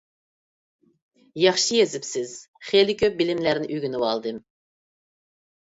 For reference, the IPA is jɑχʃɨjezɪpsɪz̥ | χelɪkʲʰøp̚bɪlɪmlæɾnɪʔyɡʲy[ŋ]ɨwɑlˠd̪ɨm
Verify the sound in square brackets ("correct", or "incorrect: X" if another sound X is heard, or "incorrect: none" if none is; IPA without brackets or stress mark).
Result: incorrect: n